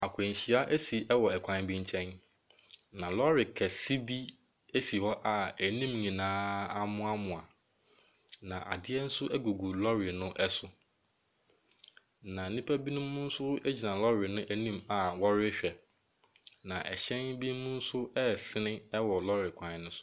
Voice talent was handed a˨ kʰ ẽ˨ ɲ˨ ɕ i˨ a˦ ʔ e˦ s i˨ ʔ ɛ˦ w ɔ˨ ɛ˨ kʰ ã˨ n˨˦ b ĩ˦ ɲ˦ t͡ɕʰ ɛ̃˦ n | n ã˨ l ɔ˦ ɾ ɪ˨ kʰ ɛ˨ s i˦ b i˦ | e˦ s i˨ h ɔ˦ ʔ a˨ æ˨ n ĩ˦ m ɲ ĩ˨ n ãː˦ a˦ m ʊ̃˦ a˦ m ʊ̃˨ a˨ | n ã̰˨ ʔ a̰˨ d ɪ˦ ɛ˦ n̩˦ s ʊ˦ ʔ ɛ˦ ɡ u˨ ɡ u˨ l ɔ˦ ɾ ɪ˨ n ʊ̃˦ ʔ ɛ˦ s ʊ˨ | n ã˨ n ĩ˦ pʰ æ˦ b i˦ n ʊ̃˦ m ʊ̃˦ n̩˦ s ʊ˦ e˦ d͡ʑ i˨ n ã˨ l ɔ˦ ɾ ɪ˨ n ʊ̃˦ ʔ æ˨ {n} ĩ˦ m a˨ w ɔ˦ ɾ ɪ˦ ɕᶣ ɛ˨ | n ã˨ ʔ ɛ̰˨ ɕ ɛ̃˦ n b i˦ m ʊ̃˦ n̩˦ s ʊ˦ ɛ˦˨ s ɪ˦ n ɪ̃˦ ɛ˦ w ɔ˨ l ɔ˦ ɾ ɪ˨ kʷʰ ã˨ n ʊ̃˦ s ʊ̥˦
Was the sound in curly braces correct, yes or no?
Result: yes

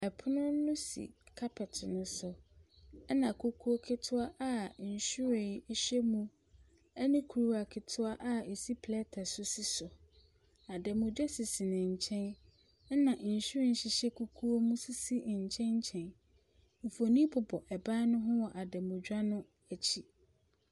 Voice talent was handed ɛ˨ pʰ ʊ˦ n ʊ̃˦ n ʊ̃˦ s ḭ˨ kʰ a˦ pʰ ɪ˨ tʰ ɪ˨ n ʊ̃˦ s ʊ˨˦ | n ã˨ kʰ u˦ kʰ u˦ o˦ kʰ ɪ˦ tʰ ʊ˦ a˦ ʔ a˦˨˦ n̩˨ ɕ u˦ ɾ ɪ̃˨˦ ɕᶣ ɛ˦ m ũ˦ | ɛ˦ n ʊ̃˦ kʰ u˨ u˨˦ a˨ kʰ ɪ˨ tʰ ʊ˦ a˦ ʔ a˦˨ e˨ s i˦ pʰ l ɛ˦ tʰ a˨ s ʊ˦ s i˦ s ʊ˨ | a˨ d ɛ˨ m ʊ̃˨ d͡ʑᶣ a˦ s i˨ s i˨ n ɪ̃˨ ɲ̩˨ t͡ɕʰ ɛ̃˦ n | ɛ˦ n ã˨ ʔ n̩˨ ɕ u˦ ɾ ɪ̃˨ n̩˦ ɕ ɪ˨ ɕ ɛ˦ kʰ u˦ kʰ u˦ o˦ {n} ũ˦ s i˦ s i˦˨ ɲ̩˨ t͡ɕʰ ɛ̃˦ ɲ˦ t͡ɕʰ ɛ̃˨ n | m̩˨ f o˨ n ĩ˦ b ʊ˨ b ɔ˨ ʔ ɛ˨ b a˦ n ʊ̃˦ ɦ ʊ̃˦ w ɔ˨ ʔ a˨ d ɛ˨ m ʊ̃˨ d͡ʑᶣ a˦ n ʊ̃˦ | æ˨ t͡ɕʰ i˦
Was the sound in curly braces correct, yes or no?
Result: no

